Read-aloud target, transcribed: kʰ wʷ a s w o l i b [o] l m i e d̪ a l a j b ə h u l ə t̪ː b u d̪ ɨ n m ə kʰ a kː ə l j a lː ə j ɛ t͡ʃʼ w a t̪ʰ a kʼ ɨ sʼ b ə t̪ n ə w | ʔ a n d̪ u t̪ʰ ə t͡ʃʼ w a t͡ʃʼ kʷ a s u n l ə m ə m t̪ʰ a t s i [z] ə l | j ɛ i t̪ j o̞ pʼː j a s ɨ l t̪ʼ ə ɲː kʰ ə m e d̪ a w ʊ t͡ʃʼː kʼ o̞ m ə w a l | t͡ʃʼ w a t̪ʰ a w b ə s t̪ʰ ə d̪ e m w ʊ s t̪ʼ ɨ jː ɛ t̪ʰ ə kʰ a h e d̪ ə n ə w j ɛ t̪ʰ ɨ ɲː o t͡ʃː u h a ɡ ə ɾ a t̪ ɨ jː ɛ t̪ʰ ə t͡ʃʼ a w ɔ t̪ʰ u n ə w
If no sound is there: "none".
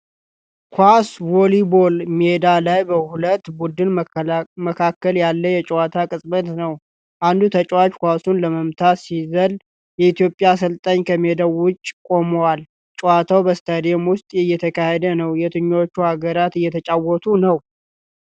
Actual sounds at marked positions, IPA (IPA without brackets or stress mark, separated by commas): o, z